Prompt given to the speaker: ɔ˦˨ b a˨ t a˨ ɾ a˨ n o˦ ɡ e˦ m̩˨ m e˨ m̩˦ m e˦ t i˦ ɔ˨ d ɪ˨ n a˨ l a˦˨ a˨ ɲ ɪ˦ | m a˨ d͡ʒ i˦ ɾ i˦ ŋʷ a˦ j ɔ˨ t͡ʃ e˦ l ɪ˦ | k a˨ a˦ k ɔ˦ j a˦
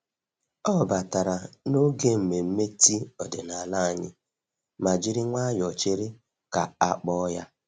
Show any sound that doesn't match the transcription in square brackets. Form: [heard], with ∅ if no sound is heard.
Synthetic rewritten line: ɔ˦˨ b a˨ t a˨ ɾ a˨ n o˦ ɡ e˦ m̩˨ m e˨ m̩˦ m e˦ t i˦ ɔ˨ d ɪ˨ n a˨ l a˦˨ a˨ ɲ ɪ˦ | m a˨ d͡ʒ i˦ ɾ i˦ ŋʷ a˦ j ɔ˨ t͡ʃ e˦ [ɾ] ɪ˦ | k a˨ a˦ [k͡p] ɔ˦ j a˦